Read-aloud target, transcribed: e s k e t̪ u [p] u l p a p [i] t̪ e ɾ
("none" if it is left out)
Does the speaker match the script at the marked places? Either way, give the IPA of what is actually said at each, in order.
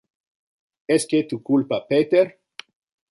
k, e

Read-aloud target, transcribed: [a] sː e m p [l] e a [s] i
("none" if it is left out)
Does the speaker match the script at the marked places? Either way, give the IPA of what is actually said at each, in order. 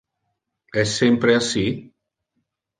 ɛ, ɾ, s

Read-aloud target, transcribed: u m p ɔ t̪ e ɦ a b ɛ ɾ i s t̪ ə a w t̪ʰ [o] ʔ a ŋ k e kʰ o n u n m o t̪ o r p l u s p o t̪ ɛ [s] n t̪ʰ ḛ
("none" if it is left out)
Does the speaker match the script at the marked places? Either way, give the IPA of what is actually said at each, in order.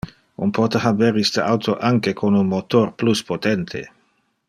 o, none

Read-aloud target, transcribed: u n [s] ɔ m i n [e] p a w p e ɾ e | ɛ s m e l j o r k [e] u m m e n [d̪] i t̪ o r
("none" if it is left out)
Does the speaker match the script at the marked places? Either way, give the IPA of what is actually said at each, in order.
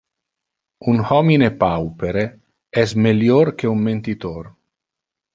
h, e, e, t̪

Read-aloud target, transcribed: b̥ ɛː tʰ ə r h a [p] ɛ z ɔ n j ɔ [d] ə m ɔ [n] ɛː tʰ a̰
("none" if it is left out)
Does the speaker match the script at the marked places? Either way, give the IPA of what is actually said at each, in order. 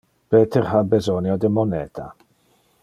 b, d, n

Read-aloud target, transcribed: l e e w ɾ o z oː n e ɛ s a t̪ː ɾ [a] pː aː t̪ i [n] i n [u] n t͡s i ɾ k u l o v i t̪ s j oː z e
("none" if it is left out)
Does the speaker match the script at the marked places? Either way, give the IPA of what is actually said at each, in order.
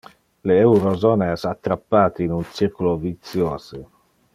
a, none, u

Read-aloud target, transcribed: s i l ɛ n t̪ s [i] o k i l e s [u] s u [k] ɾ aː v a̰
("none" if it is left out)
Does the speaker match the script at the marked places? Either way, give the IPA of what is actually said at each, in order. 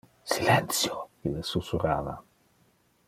j, u, none

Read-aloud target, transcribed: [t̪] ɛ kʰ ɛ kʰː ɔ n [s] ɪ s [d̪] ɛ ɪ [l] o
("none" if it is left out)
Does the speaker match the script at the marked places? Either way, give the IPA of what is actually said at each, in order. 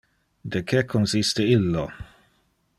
d̪, s, t̪, lː

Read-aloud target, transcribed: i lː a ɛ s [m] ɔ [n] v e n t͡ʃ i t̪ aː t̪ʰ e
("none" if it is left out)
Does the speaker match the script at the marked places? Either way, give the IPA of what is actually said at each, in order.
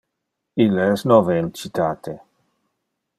n, none

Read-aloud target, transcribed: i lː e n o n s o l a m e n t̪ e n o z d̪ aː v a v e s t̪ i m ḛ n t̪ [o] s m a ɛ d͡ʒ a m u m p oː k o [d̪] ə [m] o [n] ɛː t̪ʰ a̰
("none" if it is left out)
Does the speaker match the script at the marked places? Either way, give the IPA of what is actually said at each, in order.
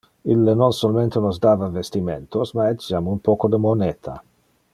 o, d̪, m, n

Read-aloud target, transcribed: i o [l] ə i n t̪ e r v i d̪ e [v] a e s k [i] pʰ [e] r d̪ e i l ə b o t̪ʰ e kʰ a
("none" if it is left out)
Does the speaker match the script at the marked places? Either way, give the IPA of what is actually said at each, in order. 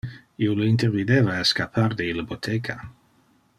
l, v, a, a

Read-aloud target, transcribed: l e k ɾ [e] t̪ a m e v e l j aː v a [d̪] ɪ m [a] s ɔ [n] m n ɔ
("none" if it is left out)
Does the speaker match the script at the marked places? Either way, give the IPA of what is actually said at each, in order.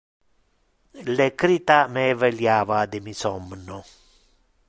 i, d̪, i, none

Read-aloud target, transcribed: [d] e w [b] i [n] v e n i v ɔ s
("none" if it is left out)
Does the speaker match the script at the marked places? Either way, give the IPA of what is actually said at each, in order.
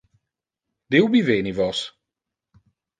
d, b, none

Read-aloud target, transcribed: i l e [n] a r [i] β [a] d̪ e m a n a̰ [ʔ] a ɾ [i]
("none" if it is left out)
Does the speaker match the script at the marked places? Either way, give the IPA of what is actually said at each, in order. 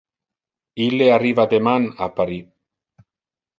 none, i, a, p, i

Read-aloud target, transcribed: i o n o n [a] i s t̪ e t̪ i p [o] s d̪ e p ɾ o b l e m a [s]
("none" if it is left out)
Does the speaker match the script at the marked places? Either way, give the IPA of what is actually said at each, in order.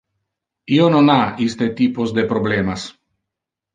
a, o, s

